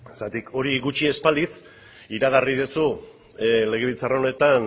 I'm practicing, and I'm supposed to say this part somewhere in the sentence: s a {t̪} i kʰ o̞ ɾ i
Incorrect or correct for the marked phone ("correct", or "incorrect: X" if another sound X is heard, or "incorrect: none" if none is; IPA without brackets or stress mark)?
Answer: correct